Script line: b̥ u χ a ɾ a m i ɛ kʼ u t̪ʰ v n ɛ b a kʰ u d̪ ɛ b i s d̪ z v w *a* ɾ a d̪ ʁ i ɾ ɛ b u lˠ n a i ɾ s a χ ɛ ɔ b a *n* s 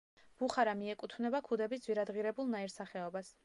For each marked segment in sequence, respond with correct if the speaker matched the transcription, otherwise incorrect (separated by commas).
incorrect, incorrect